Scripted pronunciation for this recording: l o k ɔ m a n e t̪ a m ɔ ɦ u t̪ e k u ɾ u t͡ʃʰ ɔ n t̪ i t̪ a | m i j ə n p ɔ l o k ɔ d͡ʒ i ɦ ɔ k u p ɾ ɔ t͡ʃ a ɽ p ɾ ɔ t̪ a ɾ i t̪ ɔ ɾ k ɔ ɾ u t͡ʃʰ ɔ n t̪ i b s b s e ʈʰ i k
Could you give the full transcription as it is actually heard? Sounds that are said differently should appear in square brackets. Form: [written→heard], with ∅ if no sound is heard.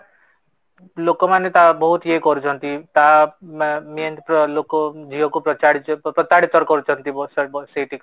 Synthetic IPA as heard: l o k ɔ m a n e t̪ a [m→b] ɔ ɦ u t̪ e k [u→ɔ] ɾ u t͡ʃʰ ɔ n t̪ i t̪ a | m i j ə n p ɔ l o k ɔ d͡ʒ i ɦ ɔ k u p ɾ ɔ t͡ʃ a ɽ p ɾ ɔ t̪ a [ɾ→ɽ] i t̪ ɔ ɾ k ɔ ɾ u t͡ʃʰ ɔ n t̪ i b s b s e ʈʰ i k